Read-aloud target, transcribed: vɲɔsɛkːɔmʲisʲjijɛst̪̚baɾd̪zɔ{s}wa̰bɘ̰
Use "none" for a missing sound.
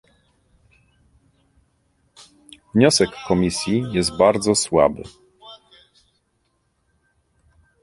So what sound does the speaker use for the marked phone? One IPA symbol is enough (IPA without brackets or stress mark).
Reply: s